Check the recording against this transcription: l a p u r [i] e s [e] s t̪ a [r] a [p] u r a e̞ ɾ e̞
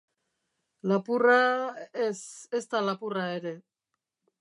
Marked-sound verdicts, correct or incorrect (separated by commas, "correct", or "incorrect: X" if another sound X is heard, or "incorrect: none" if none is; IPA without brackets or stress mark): incorrect: a, correct, incorrect: l, correct